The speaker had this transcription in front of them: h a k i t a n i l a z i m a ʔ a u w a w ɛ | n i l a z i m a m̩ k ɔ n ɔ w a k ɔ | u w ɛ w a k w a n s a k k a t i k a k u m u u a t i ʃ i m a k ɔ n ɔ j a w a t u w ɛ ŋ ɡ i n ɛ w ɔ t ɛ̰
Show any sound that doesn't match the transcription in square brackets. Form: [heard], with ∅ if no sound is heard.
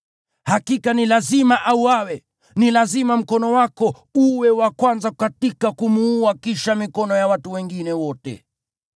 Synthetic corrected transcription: h a k i [k] a n i l a z i m a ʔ a u w a w ɛ | n i l a z i m a m̩ k ɔ n ɔ w a k ɔ | u w ɛ w a k w a n [z] a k k a t i k a k u m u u a [k] i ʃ [a] m [i] k ɔ n ɔ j a w a t u w ɛ ŋ ɡ i n ɛ w ɔ t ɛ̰